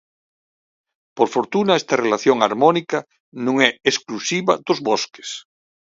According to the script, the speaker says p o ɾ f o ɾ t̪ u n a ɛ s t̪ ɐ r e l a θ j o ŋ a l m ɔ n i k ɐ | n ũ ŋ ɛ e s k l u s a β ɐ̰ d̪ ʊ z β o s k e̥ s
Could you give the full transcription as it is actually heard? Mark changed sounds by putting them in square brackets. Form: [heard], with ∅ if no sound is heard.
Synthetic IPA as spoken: p o ɾ f o ɾ t̪ u n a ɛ s t̪ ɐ r e l a θ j o ŋ a [ɾ] m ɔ n i k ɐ | n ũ ŋ ɛ e s k l u s [i] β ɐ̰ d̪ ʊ z β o s k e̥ s